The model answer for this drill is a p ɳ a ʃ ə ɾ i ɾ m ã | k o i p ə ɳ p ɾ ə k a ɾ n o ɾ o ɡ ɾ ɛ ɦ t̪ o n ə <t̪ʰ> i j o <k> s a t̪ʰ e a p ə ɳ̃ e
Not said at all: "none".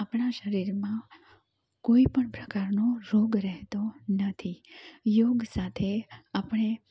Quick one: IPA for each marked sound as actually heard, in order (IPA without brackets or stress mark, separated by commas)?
t̪ʰ, ɡ